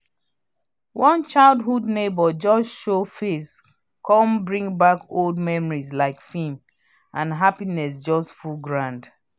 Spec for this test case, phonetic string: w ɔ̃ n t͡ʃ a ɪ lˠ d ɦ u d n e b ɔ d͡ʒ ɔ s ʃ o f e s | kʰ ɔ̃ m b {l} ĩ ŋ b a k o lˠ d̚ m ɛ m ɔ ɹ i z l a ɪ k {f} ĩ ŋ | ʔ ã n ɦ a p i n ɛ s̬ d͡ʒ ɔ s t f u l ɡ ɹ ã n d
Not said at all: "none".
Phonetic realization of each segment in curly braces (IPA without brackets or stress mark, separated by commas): ɹ, f